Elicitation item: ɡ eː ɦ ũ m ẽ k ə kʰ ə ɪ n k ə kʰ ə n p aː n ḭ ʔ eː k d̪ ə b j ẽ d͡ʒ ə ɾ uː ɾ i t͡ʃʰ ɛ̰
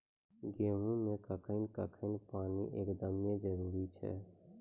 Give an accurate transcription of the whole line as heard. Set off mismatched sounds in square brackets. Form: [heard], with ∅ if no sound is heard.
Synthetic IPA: ɡ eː ɦ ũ m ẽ k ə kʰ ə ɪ n k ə kʰ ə n p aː n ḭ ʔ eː k d̪ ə [m] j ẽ d͡ʒ ə ɾ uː ɾ i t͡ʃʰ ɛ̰